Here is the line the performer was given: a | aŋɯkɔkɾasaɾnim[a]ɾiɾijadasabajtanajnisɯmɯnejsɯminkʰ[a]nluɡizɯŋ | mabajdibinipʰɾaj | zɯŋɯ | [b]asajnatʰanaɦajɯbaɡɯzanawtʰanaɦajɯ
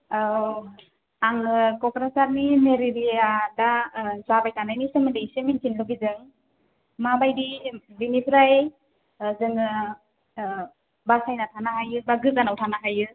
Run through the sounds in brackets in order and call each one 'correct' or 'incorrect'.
incorrect: e, incorrect: i, correct

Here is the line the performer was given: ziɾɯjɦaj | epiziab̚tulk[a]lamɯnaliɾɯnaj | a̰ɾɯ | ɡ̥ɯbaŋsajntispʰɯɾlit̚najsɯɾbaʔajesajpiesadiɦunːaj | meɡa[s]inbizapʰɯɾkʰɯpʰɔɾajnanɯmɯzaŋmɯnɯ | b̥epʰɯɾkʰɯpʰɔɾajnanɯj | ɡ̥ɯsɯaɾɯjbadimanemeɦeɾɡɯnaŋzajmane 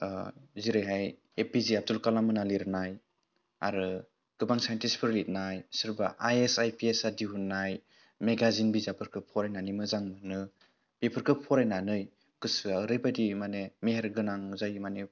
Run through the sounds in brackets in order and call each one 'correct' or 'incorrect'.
correct, incorrect: z

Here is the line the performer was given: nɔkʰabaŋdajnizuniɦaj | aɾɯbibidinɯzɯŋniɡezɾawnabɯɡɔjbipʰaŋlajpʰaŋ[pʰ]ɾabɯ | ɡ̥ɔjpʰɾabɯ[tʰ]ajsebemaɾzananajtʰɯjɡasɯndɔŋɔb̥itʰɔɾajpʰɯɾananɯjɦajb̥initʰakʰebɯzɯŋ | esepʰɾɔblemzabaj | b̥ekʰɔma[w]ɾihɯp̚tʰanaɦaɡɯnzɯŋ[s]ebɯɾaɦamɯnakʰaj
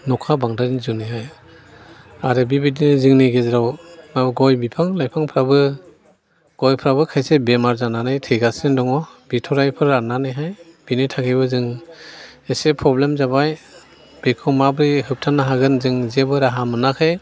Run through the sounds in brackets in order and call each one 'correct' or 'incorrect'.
correct, incorrect: kʰ, incorrect: b, incorrect: z

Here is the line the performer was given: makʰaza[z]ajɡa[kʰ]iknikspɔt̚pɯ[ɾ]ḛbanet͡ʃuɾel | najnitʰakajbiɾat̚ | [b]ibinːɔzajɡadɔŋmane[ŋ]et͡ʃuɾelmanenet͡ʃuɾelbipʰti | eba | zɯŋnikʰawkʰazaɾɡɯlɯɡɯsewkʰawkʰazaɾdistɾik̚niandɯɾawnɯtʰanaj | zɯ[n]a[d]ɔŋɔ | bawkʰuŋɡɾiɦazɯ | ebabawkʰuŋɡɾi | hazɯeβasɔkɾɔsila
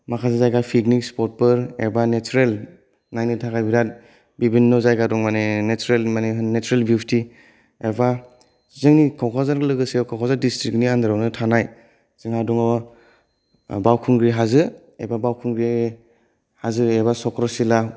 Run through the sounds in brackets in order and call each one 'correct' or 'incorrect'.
correct, incorrect: pʰ, correct, correct, incorrect: n, incorrect: ŋ, correct

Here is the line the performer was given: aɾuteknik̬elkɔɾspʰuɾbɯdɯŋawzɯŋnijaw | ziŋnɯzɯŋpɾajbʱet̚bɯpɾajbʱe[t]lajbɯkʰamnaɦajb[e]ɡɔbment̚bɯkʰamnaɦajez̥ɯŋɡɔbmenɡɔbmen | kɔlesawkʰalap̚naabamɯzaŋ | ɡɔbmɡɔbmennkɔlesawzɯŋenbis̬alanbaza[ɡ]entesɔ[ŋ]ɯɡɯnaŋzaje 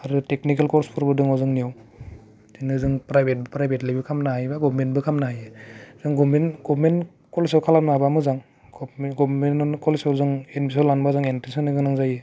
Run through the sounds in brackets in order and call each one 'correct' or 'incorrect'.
correct, incorrect: a, incorrect: ŋ, incorrect: n

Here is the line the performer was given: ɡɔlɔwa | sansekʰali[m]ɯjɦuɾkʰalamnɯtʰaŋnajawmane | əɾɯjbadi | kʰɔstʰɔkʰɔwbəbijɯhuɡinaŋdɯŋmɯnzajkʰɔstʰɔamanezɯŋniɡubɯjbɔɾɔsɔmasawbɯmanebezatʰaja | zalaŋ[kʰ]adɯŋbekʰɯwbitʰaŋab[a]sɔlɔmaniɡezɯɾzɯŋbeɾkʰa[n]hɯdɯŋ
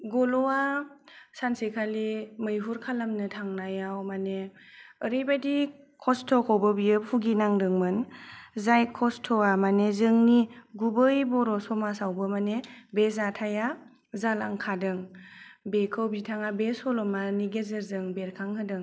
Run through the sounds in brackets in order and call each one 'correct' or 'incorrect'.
correct, correct, incorrect: e, incorrect: ŋ

